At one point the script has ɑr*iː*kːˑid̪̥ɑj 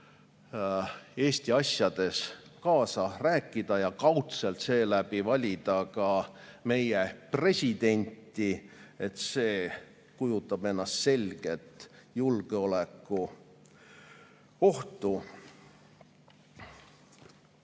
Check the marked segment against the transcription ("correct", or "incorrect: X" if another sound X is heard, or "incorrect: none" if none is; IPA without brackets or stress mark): incorrect: æː